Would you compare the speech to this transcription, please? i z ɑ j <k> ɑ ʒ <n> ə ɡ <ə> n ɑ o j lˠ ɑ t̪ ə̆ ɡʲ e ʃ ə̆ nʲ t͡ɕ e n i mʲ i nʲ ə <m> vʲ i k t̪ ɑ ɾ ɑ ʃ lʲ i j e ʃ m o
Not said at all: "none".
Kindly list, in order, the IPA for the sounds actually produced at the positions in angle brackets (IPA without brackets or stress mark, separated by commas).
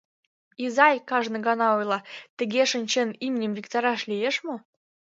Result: k, n, ɑ, m